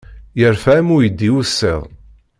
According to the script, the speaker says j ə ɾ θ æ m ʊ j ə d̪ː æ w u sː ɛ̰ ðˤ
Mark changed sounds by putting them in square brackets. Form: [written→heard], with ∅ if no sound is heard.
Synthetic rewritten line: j ə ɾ [θ→f] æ m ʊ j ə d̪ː [æ→i] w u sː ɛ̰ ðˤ